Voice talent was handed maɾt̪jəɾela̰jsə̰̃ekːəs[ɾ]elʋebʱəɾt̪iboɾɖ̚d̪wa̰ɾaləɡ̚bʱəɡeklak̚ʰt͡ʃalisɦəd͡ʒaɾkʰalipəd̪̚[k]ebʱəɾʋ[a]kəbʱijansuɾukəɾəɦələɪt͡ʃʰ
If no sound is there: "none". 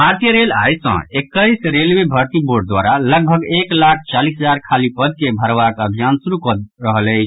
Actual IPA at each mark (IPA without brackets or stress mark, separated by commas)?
ɾ, k, a